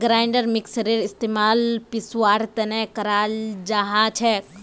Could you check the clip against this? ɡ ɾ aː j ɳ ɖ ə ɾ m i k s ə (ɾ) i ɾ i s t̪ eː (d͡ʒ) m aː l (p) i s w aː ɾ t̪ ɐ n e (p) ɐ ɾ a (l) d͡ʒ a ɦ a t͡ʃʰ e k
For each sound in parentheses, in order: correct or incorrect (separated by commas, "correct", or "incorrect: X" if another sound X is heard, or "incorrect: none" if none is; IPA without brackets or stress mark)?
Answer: correct, incorrect: none, correct, incorrect: k, correct